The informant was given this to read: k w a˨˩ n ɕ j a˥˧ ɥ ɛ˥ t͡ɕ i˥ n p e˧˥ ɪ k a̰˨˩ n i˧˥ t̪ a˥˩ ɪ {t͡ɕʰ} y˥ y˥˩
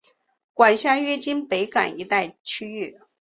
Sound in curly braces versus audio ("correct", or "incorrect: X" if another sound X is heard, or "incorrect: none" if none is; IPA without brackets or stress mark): correct